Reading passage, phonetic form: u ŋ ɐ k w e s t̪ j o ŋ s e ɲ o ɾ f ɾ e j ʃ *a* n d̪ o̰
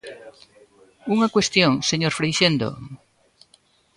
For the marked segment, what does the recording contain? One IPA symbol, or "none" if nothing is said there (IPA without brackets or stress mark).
e